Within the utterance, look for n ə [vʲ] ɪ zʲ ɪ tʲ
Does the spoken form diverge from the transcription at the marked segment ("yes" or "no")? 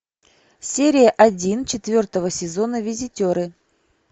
no